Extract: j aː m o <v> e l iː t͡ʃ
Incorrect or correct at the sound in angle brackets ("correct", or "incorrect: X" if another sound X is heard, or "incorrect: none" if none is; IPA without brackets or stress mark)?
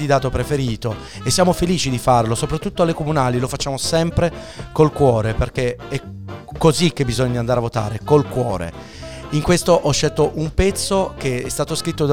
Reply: incorrect: f